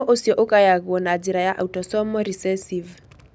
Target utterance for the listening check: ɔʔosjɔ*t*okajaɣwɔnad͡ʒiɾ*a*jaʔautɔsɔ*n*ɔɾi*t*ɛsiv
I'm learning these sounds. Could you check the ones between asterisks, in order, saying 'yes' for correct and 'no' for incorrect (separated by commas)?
no, yes, no, no